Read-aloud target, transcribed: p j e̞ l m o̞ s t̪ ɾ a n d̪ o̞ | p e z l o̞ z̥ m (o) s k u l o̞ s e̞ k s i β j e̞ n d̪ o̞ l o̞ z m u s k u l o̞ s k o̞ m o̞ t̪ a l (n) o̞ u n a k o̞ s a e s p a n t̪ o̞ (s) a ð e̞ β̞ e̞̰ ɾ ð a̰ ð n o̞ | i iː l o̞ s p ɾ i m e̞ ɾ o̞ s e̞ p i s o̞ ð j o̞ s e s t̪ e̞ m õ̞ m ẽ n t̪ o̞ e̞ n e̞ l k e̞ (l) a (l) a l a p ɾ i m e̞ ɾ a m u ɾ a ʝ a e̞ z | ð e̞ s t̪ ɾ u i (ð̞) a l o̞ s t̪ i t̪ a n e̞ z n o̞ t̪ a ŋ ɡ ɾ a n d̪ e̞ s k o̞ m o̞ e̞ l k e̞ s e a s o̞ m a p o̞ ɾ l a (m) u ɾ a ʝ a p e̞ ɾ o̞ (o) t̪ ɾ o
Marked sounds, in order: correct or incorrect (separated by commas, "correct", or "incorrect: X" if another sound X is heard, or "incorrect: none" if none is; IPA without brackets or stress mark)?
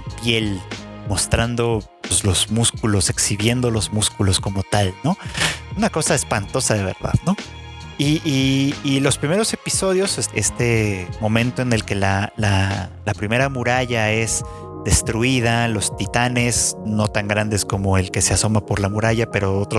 incorrect: u, correct, correct, correct, correct, correct, correct, correct